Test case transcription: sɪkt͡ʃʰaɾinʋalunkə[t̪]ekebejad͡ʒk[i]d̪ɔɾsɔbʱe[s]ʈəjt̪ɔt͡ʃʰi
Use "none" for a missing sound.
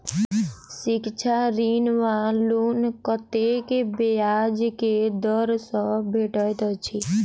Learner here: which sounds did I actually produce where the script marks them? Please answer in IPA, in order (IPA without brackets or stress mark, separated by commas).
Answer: t̪, e, none